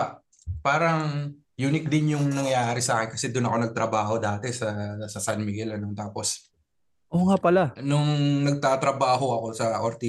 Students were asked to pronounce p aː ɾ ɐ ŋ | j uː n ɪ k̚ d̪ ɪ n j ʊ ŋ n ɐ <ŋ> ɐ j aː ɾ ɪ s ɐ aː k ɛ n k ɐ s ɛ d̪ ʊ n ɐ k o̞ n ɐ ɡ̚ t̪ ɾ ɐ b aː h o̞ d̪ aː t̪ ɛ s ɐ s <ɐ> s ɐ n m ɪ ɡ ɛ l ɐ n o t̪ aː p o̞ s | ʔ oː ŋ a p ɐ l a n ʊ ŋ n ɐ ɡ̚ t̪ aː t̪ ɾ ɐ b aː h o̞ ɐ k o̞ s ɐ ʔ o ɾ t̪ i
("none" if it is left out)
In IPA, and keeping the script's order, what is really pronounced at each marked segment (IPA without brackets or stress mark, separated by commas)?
ŋ, ɐ